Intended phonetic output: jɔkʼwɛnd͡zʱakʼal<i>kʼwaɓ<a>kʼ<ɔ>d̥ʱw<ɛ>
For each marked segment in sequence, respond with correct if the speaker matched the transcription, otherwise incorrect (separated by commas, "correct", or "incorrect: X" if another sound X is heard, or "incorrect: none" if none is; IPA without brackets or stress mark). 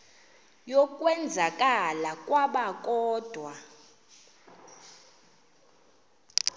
incorrect: a, correct, incorrect: ɔː, incorrect: a